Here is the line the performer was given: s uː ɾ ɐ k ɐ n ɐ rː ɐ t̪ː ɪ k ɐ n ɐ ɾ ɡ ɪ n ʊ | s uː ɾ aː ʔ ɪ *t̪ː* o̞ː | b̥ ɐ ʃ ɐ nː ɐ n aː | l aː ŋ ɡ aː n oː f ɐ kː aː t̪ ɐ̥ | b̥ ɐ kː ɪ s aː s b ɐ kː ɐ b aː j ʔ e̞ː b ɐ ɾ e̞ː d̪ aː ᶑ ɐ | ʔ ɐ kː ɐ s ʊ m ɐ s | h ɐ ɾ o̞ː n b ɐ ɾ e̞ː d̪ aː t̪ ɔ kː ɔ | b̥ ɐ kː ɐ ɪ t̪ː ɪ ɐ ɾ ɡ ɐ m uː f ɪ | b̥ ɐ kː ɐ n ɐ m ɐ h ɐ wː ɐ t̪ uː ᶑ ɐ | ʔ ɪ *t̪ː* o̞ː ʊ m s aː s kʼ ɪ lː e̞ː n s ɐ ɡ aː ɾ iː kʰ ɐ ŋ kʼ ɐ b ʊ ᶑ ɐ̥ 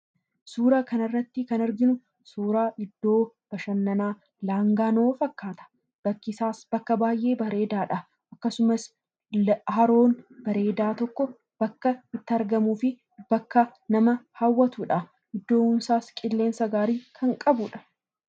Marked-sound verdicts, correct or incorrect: incorrect: d̪ː, incorrect: d̪ː

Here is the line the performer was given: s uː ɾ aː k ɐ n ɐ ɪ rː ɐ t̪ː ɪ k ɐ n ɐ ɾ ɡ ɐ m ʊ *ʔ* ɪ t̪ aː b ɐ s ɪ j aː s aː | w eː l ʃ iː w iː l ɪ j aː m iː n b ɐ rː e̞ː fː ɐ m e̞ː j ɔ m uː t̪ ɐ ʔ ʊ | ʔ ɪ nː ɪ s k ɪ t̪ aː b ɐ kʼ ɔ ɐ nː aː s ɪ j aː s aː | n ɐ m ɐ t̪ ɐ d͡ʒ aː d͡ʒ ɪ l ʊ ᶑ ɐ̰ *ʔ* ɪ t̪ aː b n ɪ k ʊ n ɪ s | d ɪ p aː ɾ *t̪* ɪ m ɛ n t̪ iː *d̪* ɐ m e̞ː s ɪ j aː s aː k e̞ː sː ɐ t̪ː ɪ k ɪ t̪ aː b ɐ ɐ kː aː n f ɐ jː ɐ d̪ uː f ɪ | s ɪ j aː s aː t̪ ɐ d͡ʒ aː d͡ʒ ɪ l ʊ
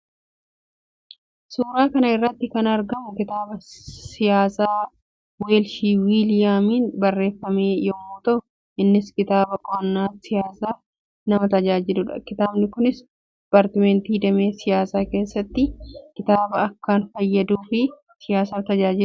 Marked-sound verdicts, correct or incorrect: incorrect: k, incorrect: k, correct, correct

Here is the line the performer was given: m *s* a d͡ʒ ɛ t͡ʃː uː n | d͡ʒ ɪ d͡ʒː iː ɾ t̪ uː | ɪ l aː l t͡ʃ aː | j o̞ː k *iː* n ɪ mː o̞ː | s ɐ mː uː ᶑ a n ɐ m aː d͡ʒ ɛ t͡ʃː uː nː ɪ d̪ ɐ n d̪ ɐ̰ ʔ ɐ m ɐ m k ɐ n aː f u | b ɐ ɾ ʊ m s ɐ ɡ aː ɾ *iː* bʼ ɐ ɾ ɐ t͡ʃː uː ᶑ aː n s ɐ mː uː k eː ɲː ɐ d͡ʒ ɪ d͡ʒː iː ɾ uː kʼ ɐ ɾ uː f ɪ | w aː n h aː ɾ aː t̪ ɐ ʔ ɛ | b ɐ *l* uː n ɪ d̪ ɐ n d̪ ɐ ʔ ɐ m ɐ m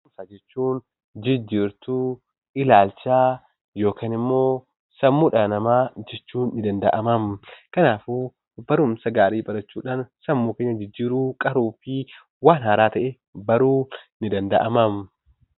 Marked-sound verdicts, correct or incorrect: correct, incorrect: aː, correct, incorrect: ɾ

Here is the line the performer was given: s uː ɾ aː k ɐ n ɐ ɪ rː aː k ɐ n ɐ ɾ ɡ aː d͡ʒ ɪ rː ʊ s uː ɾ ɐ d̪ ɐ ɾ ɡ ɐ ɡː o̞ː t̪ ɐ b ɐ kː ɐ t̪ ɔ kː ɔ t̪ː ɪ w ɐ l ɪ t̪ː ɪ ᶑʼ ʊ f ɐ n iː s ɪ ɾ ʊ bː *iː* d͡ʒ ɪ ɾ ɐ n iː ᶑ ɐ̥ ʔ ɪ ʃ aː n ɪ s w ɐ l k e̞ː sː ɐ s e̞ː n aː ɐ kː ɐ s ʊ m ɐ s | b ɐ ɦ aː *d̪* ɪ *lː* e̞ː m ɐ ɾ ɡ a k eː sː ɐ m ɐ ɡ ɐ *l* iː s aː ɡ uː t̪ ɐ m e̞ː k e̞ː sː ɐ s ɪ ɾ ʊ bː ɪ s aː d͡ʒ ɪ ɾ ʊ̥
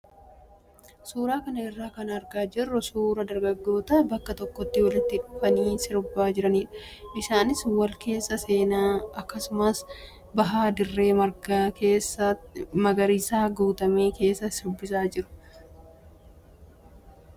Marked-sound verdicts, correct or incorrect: incorrect: aː, correct, incorrect: rː, incorrect: ɾ

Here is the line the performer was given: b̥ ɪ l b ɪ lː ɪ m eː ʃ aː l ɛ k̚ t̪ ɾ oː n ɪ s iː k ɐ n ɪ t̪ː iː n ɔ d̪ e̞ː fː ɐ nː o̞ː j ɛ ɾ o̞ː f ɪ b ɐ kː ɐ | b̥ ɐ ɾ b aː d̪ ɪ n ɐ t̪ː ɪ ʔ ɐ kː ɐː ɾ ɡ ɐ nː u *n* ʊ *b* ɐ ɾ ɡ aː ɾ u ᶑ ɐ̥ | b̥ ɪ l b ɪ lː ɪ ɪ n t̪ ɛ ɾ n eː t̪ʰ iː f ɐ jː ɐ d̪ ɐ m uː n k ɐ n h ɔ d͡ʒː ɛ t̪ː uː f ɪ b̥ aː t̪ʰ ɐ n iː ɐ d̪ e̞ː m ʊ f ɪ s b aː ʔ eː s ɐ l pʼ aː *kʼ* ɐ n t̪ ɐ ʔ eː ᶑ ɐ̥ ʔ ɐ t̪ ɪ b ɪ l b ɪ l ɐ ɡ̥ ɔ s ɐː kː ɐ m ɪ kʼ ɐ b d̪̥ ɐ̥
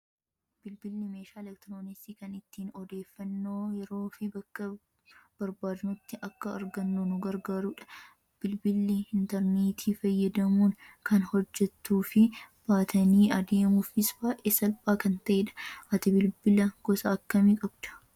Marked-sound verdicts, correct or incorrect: correct, incorrect: ɡ, incorrect: k

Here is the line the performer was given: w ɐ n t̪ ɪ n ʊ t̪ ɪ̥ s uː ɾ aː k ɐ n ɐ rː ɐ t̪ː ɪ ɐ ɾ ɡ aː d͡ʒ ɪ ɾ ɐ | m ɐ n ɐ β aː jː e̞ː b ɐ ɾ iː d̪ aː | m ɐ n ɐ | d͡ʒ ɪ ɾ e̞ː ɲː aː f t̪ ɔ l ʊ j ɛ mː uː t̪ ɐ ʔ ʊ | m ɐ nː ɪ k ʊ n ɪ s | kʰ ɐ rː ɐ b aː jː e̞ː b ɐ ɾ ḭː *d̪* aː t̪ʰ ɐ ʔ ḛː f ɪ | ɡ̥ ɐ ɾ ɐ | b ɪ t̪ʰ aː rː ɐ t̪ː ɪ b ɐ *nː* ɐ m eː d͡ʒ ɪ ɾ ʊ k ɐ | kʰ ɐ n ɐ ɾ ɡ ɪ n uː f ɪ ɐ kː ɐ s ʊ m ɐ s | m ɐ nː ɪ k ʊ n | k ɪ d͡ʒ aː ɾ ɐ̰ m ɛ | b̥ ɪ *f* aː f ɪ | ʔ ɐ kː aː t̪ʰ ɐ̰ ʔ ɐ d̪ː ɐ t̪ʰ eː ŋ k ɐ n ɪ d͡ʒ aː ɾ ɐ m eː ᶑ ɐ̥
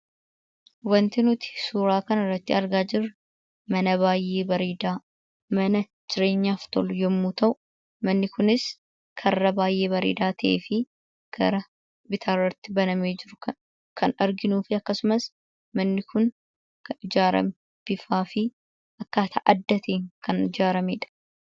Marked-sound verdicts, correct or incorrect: correct, incorrect: n, correct

